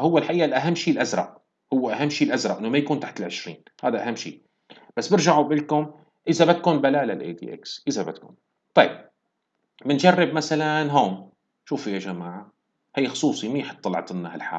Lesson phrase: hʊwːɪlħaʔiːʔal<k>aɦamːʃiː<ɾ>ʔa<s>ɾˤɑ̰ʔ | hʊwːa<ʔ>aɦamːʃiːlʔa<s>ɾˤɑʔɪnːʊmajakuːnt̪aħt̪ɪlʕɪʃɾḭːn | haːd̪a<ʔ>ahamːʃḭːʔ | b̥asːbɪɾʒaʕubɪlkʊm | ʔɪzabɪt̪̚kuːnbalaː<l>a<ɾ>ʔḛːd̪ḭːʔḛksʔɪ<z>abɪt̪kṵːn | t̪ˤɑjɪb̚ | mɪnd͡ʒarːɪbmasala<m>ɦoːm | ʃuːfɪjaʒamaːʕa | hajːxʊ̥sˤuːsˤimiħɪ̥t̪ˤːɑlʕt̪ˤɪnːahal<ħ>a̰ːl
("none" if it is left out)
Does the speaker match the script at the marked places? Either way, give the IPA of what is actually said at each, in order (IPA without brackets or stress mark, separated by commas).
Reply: ʔ, l, z, ʔ, z, ʔ, l, l, z, n, ħ